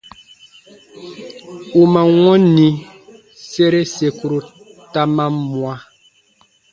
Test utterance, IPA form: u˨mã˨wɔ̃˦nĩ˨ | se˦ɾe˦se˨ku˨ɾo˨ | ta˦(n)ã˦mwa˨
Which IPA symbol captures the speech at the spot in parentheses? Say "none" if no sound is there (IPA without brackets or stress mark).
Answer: m